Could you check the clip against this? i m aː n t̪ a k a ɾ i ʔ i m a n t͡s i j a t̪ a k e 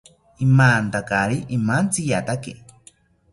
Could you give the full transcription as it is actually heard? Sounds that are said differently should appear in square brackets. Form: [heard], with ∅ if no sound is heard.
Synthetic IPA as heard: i m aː n t̪ a k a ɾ i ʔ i m a n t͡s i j a t̪ a k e